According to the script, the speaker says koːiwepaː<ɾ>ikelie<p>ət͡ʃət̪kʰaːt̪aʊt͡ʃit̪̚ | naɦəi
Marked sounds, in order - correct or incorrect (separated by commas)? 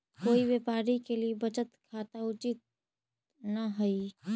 correct, incorrect